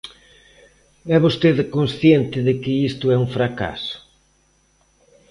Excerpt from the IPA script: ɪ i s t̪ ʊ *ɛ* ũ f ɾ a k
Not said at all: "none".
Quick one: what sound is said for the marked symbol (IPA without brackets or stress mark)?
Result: ɛ